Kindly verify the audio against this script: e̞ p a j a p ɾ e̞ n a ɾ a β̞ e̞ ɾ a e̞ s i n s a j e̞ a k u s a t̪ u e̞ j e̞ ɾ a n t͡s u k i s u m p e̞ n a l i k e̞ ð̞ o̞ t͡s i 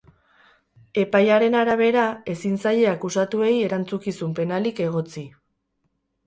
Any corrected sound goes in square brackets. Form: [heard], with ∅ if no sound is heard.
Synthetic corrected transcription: e̞ p a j a [∅] ɾ e̞ n a ɾ a β̞ e̞ ɾ a e̞ s i n s a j e̞ a k u s a t̪ u e̞ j e̞ ɾ a n t͡s u k i s u m p e̞ n a l i k e̞ [ɣ̞] o̞ t͡s i